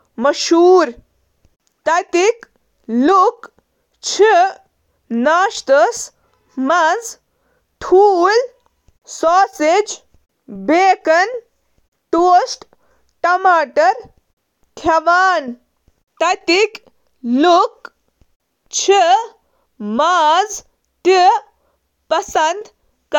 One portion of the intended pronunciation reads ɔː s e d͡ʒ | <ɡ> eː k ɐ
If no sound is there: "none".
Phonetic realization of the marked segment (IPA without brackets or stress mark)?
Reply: b